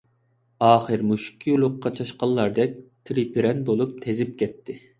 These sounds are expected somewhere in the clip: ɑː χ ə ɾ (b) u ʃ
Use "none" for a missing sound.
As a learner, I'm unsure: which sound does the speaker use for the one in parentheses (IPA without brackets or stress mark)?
m